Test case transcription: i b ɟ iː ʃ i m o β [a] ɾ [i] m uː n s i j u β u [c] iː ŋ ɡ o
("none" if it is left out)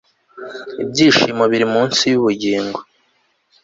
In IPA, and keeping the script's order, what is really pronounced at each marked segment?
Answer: i, i, ɟ

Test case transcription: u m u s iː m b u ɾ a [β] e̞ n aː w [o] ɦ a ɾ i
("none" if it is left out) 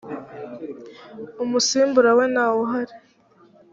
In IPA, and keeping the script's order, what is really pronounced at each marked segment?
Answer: w, o

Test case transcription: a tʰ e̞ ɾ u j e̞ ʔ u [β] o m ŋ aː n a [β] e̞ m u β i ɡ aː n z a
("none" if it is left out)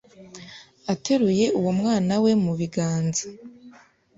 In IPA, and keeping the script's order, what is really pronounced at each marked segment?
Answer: w, w

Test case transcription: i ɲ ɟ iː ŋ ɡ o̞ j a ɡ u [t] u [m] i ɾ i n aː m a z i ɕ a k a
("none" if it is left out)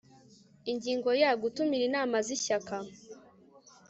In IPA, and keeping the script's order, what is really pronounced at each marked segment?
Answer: t, m

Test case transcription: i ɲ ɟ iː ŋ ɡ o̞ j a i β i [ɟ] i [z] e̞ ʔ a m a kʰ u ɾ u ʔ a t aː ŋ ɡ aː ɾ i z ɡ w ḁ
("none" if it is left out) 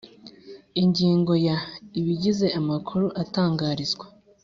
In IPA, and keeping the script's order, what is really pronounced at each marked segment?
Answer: ɟ, z

